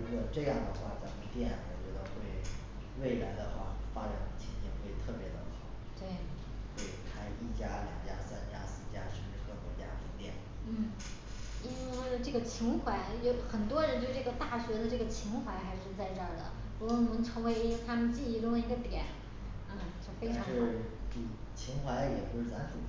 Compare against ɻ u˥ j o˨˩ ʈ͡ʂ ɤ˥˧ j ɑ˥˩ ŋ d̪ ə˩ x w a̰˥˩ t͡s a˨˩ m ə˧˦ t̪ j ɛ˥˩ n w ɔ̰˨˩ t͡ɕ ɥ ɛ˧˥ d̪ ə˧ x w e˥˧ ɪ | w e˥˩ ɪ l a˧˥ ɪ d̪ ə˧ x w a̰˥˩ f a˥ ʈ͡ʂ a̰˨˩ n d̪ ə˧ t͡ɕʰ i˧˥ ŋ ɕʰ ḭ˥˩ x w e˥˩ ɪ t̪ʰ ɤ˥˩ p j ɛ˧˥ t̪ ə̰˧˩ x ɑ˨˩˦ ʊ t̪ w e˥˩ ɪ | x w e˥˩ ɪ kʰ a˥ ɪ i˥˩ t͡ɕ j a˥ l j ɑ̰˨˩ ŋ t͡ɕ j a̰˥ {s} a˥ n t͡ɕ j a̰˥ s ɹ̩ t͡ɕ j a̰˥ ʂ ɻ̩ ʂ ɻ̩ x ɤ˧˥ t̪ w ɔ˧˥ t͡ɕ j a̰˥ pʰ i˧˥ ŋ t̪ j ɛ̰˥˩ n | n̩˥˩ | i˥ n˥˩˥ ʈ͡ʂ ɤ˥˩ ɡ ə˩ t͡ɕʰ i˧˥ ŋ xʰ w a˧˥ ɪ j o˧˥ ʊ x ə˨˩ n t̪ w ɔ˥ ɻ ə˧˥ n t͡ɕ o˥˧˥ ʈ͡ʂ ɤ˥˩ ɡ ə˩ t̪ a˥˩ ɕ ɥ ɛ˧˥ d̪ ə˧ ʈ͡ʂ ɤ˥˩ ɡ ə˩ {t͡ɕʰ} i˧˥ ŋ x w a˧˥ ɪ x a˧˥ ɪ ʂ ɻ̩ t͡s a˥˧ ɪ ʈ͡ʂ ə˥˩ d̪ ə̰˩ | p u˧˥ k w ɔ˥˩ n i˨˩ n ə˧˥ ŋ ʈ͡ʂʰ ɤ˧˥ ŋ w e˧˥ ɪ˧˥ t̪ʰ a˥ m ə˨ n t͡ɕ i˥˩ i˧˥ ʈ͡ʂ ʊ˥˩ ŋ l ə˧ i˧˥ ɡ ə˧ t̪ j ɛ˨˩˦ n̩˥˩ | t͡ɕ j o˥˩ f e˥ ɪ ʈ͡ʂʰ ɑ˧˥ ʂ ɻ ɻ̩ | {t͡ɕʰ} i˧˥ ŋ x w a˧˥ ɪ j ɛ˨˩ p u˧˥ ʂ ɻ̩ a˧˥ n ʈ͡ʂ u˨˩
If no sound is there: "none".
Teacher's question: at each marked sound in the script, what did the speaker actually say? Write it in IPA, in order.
s, t͡ɕʰ, t͡ɕʰ

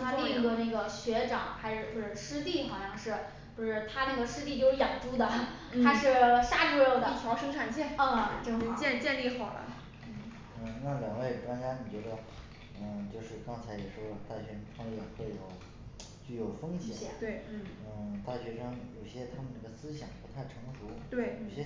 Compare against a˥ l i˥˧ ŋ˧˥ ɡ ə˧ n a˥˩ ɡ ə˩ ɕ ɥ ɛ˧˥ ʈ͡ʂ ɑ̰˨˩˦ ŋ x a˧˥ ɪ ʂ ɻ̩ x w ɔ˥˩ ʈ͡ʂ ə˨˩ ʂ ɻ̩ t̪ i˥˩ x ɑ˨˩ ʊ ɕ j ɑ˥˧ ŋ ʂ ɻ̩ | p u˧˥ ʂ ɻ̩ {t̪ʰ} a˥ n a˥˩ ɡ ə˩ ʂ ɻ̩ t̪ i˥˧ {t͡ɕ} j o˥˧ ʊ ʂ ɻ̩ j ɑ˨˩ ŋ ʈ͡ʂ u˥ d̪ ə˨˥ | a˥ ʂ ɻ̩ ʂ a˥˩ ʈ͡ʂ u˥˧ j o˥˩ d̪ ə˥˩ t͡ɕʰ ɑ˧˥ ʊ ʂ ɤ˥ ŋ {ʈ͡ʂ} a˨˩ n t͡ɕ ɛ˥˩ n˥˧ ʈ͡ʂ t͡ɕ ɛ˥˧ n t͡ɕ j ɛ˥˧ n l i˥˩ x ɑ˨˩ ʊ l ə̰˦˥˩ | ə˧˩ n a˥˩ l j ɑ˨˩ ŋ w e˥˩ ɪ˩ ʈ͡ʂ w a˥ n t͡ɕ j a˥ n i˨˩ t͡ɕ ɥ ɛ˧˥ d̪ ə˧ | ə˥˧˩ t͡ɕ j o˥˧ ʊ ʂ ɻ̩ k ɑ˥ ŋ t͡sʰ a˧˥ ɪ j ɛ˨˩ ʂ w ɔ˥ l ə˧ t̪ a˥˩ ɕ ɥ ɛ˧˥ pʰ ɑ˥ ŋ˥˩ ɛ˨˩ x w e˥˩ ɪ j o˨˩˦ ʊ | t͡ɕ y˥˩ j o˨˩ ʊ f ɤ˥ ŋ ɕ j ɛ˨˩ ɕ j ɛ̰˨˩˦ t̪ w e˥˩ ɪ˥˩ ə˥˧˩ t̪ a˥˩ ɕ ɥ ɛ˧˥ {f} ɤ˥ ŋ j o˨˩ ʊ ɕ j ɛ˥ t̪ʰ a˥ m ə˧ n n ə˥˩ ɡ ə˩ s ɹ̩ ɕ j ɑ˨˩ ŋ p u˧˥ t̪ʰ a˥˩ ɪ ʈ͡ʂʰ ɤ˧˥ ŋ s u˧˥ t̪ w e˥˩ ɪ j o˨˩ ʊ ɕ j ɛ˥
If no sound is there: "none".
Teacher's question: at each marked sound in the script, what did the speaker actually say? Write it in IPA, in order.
t̪ʰ, t͡ɕ, ʈ͡ʂʰ, ʂ

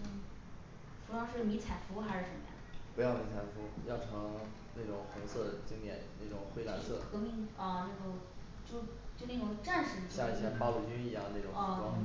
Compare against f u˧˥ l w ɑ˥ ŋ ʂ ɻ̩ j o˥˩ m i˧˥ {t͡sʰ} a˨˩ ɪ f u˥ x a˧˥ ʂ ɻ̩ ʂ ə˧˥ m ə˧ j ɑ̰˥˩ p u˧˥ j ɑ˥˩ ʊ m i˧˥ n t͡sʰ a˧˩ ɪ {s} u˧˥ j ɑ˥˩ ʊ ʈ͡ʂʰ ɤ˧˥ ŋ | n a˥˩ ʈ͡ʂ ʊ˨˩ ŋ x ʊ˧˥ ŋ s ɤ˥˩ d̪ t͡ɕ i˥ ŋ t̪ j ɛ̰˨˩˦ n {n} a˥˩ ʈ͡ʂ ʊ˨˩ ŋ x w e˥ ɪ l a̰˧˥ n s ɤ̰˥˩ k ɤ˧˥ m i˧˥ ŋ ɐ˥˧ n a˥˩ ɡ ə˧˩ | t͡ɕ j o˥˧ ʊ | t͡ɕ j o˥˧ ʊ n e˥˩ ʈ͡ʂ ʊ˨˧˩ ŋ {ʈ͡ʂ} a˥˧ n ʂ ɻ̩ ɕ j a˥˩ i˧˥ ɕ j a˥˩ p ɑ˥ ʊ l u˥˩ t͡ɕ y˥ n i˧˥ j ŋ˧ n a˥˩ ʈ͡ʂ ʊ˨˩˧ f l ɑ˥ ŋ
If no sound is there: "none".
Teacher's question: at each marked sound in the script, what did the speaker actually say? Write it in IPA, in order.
t͡sʰ, f, n, ʈ͡ʂ

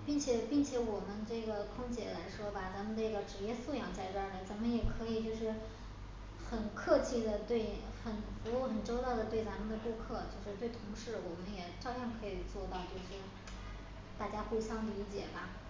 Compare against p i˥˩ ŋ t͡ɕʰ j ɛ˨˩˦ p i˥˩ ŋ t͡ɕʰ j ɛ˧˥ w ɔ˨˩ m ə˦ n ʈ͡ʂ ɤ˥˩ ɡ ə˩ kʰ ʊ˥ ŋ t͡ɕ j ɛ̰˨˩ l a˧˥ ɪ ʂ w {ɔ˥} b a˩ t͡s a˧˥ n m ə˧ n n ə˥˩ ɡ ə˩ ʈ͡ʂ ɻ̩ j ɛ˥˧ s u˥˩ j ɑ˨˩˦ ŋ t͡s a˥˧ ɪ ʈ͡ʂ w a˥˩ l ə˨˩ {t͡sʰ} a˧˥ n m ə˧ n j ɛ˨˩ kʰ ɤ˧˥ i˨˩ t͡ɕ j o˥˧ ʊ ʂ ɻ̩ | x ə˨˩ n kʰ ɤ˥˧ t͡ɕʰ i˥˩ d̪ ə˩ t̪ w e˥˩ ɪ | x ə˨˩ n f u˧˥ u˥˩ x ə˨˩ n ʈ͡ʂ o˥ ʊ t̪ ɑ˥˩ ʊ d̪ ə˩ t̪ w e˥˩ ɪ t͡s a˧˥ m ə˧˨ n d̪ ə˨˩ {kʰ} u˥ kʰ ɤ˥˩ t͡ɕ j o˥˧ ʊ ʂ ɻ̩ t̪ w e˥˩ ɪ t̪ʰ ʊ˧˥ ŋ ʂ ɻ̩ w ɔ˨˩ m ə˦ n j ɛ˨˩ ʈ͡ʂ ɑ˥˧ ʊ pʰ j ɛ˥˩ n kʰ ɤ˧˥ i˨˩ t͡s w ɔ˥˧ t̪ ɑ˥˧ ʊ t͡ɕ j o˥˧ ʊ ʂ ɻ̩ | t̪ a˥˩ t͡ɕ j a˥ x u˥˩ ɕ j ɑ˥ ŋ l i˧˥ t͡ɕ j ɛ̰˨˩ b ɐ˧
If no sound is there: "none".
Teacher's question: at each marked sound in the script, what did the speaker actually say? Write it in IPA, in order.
ɔ˥, t͡s, k

